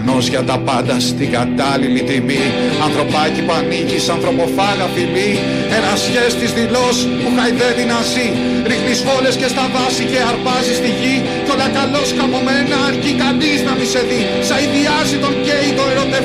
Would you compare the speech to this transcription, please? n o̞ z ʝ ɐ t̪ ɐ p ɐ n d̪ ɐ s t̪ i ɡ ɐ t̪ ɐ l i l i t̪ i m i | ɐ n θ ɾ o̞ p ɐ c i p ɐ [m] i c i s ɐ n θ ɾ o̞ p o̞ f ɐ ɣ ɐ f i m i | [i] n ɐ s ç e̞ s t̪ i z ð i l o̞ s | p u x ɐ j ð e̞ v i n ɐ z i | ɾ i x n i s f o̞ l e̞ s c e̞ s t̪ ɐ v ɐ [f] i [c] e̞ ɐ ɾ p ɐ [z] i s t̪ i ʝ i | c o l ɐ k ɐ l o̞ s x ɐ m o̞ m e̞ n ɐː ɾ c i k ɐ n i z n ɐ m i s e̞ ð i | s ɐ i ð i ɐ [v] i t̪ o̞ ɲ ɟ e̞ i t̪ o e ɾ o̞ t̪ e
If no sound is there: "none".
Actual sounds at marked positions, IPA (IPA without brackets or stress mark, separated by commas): n, e, s, c, z, z